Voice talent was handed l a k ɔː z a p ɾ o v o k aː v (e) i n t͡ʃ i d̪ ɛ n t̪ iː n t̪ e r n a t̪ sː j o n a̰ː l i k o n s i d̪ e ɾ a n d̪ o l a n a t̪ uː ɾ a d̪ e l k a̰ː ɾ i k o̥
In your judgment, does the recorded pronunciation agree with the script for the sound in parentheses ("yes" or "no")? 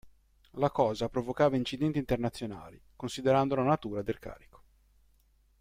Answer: no